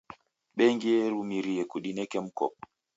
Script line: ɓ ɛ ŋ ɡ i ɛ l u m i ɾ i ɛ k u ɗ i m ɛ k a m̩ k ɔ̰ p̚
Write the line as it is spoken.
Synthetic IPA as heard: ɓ ɛ ŋ ɡ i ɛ ɾ u m i ɾ i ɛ k u ɗ i n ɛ k ɛ m̩ k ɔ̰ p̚

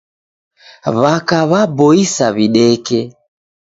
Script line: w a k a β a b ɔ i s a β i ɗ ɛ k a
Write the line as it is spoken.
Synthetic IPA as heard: β a k a β a b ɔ i s a β i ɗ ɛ k ɛ

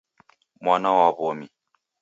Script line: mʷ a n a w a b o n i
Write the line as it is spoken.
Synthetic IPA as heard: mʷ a n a w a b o m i

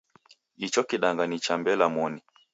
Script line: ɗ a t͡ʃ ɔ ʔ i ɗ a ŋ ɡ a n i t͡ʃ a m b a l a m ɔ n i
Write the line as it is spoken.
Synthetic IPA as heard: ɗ i t͡ʃ ɔ k i ɗ a ŋ ɡ a n i t͡ʃ a m b ɛ l a m ɔ n i

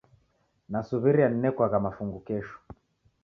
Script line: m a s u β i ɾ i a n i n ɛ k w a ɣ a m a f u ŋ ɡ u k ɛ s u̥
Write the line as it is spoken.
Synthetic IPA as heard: n a s u β i ɾ i a n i n ɛ k w a ɣ a m a f u ŋ ɡ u k ɛ ʃ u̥

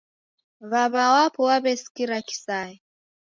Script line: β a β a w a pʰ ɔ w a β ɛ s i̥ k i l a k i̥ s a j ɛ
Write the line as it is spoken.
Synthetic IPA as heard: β a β a w a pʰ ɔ w a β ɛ s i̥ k i ɾ a k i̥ s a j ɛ

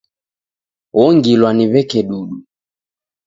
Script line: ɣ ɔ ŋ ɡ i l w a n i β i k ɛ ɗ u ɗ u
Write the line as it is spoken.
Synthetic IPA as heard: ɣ ɔ ŋ ɡ i l w a n i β ɛ k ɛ ɗ u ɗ u

